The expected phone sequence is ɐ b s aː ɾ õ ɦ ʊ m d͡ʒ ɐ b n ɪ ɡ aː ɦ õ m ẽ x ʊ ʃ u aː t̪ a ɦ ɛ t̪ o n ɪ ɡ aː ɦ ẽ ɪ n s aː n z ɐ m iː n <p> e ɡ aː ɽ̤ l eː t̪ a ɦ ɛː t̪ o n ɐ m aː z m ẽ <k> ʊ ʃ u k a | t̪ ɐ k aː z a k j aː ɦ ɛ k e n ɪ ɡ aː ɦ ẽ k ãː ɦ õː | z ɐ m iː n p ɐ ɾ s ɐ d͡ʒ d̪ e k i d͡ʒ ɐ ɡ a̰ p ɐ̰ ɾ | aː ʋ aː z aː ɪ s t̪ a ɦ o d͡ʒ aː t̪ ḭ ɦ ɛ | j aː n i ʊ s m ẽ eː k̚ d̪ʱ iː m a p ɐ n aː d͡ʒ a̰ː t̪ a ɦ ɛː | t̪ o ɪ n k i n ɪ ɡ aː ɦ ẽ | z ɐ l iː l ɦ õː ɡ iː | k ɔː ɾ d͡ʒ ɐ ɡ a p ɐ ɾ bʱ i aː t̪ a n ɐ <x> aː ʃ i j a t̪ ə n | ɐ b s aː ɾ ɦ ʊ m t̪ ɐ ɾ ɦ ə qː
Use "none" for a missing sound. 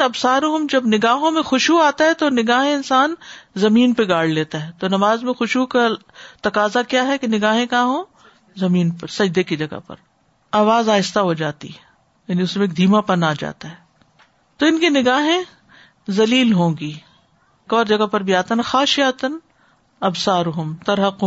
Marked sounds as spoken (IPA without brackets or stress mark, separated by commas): p, x, x